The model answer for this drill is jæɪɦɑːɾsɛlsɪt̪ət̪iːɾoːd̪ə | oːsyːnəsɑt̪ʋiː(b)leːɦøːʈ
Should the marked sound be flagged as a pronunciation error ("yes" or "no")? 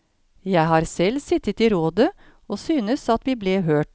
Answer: no